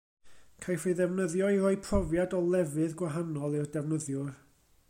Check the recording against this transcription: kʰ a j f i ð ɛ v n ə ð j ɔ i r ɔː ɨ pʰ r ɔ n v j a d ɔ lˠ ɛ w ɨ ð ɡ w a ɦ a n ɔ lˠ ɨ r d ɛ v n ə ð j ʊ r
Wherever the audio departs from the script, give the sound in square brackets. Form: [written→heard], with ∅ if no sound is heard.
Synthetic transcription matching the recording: kʰ a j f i ð ɛ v n ə ð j ɔ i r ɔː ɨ pʰ r ɔ [n→∅] v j a d ɔ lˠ ɛ [w→v] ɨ ð ɡ w a ɦ a n ɔ lˠ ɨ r d ɛ v n ə ð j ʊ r